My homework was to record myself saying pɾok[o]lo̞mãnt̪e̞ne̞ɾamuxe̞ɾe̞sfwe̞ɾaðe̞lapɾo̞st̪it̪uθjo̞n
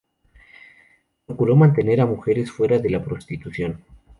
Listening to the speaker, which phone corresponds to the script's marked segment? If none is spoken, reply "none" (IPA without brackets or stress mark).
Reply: u